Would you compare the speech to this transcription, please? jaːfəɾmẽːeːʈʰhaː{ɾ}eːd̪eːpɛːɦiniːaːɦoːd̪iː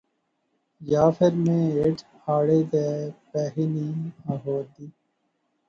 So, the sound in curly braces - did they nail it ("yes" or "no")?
no